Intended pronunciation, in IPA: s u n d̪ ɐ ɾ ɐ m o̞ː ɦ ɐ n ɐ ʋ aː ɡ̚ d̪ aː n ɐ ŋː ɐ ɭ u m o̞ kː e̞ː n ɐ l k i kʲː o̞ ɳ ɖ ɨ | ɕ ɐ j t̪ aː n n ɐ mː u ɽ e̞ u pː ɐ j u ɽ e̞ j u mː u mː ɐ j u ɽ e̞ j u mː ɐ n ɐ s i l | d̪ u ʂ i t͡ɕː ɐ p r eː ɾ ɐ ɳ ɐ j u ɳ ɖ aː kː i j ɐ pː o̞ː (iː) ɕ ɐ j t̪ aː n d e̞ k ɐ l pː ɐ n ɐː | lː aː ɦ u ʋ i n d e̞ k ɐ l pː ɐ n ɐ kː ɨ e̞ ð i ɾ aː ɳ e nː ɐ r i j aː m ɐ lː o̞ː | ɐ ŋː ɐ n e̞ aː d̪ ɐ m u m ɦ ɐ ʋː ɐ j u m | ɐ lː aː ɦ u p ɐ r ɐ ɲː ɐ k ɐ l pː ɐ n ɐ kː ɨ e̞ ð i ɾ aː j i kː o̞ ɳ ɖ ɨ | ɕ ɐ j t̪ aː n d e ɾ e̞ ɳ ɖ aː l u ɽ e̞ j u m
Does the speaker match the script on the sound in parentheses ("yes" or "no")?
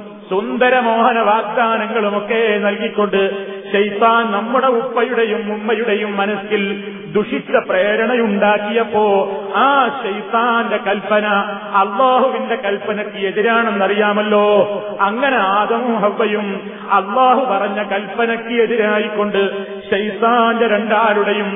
no